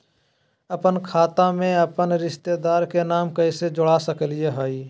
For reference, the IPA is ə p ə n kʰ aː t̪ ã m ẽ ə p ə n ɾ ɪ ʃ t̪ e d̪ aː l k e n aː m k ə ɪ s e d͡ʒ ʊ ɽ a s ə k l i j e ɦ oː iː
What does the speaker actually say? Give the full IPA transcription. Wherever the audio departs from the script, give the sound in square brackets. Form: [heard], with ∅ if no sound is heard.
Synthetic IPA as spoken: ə p ə n kʰ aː t̪ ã m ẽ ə p ə n ɾ ɪ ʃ t̪ e d̪ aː [ɾ] k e n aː m k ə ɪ s e d͡ʒ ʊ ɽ a s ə k l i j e ɦ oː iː